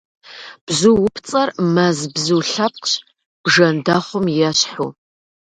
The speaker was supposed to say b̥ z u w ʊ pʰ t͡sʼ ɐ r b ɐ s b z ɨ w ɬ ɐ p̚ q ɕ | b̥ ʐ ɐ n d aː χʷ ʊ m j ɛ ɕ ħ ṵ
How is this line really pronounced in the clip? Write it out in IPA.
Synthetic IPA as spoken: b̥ z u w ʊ pʰ t͡sʼ ɐ r m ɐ z b z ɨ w ɬ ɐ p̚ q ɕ | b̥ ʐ ɐ n d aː χʷ ʊ m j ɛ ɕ ħ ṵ